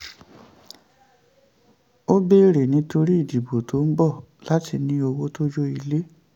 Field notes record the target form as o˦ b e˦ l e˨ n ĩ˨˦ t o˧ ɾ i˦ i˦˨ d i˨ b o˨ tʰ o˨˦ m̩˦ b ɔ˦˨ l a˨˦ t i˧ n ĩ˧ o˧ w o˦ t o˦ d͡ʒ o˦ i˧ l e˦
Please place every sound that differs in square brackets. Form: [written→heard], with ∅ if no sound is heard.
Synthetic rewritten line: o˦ b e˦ [l→ɾ] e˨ n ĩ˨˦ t o˧ ɾ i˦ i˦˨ d i˨ b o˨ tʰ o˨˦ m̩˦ b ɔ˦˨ l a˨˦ t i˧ n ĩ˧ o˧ w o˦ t o˦ d͡ʒ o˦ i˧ l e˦